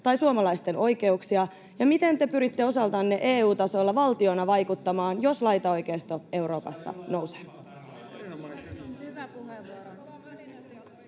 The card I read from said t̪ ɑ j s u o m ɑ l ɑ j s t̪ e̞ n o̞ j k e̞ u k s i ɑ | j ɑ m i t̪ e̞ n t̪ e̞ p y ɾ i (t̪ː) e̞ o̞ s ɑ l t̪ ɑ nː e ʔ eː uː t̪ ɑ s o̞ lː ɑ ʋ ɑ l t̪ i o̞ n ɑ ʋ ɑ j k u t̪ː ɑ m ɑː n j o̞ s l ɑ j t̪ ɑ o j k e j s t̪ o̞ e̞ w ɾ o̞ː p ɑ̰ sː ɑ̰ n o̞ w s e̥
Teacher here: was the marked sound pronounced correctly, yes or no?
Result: yes